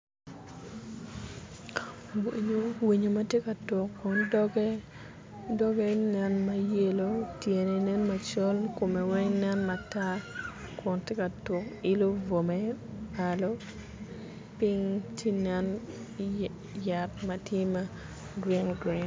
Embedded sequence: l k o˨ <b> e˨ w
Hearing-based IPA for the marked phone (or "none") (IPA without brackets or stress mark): m